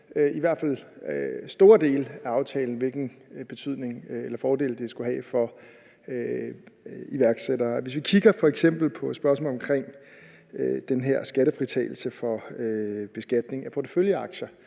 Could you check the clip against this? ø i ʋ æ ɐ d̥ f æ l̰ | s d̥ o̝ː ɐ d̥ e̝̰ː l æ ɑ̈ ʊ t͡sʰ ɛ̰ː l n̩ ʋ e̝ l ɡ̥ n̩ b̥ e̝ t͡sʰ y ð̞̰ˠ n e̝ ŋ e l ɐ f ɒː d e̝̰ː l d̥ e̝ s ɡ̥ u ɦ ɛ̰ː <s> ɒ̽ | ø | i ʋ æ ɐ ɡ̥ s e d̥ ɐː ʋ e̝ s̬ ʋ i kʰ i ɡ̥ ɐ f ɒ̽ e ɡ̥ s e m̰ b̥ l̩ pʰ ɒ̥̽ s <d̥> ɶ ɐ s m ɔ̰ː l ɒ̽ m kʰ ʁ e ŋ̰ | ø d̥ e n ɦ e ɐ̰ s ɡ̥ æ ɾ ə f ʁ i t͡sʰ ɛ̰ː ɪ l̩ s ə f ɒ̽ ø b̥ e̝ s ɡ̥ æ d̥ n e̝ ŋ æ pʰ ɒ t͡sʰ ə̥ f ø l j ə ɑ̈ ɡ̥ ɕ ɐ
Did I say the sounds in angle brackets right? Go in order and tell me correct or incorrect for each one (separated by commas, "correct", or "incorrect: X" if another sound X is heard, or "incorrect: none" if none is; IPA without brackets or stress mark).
incorrect: f, incorrect: b̥